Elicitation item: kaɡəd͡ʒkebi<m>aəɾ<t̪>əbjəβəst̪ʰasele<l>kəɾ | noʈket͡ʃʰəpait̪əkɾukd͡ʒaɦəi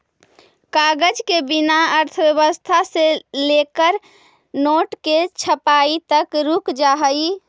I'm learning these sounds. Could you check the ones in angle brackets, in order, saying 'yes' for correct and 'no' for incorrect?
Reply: no, no, no

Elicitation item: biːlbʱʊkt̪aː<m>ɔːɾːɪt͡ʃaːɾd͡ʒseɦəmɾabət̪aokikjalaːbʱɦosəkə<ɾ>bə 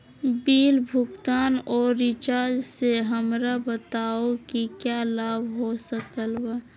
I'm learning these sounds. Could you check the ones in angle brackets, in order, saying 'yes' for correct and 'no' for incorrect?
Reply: no, no

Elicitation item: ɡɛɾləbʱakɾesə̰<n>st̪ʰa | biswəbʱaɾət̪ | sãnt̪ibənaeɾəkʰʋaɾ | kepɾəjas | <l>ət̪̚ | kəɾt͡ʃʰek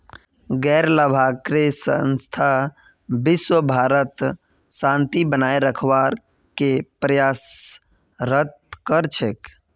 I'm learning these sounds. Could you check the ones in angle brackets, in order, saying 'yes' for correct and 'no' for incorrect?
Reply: yes, no

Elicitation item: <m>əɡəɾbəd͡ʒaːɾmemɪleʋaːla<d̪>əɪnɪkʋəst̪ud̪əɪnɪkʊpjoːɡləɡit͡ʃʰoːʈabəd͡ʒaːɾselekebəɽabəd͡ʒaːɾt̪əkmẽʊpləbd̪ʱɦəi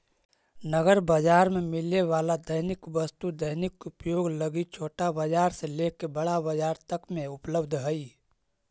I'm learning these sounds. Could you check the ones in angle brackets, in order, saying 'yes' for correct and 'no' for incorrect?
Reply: no, yes

